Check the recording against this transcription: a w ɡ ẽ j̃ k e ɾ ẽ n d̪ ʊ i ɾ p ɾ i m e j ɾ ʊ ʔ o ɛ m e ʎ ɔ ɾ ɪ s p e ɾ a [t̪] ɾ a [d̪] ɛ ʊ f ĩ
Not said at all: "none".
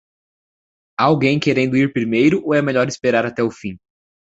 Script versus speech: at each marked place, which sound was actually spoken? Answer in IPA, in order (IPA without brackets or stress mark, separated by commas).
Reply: none, t̪